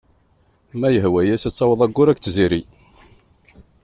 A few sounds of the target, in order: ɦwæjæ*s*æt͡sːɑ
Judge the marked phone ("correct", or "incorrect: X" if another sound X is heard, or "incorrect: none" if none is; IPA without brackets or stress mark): correct